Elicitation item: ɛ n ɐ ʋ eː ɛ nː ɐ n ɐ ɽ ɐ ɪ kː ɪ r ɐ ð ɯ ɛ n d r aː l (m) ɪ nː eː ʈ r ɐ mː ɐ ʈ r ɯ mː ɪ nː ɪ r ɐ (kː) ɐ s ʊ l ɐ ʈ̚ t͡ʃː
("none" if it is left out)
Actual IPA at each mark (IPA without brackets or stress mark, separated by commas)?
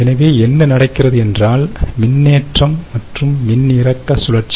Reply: m, kː